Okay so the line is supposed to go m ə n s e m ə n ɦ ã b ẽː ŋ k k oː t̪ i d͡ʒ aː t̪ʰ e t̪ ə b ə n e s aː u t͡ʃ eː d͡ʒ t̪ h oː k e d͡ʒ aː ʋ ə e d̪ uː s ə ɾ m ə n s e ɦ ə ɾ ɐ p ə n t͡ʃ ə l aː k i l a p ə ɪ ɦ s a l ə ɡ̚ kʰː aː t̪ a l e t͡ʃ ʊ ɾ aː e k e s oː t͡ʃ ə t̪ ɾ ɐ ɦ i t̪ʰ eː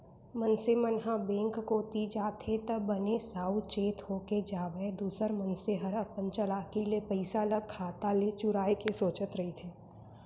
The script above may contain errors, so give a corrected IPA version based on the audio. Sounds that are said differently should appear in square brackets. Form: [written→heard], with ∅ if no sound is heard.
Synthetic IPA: m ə n s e m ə n ɦ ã b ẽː ŋ k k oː t̪ i d͡ʒ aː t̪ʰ e t̪ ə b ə n e s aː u t͡ʃ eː [d͡ʒ→∅] t̪ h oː k e d͡ʒ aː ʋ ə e d̪ uː s ə ɾ m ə n s e ɦ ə ɾ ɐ p ə n t͡ʃ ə l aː k i l [a→e] p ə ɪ [ɦ→∅] s a l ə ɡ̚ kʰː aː t̪ a l e t͡ʃ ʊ ɾ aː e k e s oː t͡ʃ ə t̪ ɾ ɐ ɦ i t̪ʰ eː